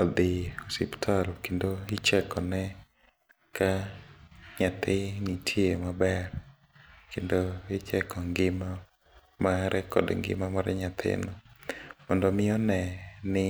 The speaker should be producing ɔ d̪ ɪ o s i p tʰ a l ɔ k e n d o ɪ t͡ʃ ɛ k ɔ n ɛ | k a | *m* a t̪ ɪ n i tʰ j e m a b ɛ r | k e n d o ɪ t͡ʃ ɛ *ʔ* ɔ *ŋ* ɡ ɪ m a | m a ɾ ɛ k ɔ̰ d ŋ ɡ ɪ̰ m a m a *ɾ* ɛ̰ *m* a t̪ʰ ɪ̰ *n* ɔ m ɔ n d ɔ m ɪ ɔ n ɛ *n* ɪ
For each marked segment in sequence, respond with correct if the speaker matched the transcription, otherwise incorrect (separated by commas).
incorrect, incorrect, correct, correct, incorrect, correct, correct